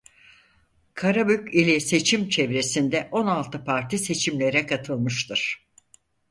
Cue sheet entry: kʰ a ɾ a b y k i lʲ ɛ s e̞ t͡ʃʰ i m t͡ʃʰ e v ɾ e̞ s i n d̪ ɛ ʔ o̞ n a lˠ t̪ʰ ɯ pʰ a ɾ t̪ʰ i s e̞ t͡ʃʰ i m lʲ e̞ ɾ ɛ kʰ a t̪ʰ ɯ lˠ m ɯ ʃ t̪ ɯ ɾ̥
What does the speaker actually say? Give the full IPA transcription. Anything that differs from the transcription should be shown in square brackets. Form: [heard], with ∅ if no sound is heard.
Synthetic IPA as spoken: kʰ a ɾ a b y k i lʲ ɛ s e̞ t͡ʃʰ i m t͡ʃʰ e v ɾ e̞ s i n d̪ ɛ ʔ o̞ n a lˠ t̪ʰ ɯ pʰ a ɾ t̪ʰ i s e̞ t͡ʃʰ i m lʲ e̞ ɾ ɛ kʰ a t̪ʰ ɯ lˠ m ɯ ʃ t̪ ɯ ɾ̥